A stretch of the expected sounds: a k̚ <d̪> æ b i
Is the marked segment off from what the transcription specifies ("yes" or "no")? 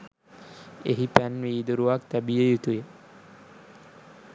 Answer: yes